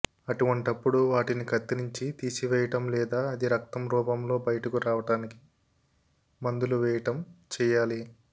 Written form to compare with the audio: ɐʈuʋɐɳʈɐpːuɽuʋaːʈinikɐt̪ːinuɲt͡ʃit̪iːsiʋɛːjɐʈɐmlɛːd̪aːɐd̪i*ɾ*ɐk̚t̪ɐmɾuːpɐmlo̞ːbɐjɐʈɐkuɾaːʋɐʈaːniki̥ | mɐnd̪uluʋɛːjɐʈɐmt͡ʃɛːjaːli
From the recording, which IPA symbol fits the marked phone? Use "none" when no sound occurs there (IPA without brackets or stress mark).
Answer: ɾ